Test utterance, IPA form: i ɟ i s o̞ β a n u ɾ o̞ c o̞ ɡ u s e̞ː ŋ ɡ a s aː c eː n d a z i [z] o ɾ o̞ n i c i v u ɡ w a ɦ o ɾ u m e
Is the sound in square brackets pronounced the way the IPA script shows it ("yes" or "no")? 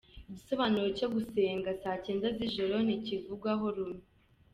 no